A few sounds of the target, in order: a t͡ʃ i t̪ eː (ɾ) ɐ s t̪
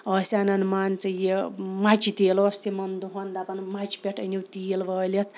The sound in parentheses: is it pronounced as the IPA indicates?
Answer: no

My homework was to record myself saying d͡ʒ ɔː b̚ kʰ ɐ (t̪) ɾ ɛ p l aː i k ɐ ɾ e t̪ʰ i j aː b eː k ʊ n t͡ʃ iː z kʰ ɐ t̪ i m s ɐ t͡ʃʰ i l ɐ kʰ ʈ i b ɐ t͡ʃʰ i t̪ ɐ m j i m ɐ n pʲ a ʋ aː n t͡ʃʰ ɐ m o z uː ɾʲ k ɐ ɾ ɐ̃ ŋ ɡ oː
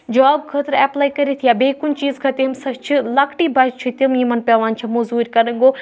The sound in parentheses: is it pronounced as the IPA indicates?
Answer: yes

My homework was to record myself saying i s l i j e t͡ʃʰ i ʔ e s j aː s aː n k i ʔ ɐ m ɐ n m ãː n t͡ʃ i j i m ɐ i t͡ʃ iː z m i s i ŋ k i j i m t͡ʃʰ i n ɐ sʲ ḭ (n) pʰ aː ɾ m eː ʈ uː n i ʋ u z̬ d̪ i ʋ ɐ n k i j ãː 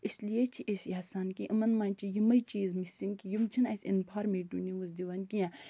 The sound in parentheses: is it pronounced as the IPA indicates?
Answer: yes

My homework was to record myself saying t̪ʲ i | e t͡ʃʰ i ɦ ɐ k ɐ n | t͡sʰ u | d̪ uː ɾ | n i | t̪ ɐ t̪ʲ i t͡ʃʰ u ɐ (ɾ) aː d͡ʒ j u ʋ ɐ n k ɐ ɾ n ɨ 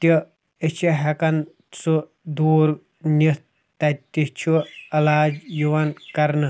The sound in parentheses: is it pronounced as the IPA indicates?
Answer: no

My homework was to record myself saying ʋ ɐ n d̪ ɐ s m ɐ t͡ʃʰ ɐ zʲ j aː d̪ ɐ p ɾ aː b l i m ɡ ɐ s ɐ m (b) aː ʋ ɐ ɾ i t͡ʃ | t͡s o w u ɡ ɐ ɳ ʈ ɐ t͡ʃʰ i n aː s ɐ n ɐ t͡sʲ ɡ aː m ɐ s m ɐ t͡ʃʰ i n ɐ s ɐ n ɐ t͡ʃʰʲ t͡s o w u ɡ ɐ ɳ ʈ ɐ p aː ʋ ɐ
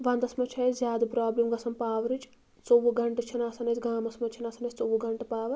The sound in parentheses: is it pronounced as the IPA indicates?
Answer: no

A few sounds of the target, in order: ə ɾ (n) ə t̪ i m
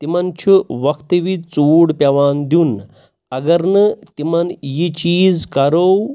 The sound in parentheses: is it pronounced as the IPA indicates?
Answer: yes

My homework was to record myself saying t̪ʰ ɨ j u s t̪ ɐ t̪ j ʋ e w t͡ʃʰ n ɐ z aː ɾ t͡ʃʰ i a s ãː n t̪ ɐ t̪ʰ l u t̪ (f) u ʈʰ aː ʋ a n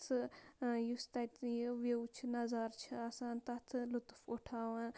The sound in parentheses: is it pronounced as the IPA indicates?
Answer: yes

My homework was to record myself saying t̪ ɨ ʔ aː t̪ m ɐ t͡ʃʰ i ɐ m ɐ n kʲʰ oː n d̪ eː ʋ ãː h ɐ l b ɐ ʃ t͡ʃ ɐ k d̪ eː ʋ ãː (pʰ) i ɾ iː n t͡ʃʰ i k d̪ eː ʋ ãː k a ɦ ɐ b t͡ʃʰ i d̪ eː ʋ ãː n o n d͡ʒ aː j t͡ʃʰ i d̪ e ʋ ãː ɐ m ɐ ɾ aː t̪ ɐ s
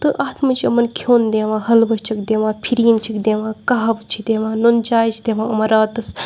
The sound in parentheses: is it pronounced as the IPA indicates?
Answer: yes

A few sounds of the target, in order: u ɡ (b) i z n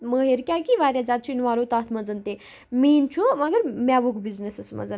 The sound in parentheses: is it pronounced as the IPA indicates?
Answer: yes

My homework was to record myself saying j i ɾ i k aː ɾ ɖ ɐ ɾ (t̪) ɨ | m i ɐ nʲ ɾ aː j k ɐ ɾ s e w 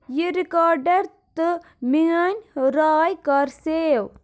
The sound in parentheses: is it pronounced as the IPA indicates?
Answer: yes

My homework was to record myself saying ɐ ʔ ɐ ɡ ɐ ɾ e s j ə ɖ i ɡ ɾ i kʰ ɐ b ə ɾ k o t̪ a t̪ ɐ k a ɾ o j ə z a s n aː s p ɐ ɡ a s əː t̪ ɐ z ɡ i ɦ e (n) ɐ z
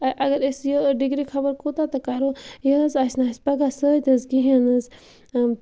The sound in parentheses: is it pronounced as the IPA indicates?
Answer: yes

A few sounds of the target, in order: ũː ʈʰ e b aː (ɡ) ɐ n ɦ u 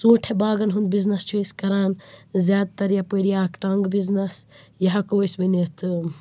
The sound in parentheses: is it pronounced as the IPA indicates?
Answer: yes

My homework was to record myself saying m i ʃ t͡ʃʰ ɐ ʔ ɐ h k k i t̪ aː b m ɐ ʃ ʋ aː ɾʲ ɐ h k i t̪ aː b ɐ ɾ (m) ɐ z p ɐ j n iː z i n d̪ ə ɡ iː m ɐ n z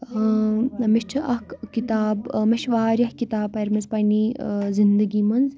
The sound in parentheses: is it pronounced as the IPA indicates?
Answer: yes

